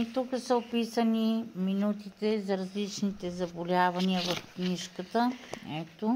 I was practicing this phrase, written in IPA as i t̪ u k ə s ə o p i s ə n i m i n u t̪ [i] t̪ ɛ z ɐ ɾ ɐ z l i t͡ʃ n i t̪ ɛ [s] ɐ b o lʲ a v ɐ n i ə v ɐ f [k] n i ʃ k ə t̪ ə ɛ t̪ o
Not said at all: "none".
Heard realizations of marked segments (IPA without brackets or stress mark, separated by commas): i, z, k